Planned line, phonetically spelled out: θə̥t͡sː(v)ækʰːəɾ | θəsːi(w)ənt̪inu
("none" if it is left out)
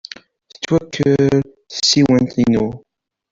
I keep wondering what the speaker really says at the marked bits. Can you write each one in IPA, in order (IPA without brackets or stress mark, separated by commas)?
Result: w, w